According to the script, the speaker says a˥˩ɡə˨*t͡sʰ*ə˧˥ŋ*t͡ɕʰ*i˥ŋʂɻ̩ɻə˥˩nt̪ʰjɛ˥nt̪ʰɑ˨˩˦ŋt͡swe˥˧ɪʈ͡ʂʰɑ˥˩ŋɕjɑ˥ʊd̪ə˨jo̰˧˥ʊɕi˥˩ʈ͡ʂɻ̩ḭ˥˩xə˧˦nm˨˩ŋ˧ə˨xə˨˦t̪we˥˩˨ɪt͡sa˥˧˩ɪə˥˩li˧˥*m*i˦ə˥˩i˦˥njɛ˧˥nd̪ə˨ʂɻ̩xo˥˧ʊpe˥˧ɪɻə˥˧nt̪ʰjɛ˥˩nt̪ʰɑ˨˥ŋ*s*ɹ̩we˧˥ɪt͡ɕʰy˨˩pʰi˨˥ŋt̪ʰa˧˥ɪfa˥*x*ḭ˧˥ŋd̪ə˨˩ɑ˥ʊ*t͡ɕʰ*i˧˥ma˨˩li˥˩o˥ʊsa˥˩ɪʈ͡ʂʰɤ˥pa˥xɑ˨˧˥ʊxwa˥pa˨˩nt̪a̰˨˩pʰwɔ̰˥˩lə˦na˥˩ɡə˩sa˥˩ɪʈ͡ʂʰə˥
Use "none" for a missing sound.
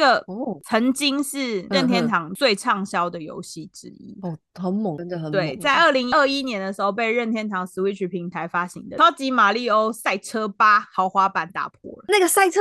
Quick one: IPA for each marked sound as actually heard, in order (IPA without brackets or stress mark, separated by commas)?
t͡sʰ, t͡ɕ, ŋ, s, ɕ, t͡ɕ